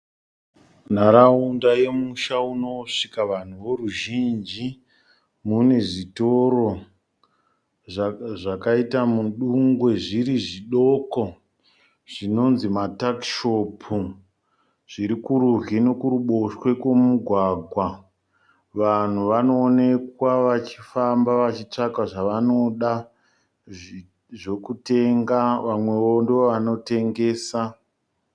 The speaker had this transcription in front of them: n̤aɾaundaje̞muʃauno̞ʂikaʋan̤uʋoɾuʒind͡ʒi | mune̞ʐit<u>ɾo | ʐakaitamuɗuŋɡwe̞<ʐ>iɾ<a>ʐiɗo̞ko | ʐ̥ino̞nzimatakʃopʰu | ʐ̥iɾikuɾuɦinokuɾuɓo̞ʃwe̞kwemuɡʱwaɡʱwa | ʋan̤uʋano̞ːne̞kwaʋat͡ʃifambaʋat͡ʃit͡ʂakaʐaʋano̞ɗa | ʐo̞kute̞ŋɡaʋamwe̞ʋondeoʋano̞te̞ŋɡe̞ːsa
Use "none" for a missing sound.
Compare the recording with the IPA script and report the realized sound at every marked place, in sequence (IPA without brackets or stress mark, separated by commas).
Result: o, ʐ, i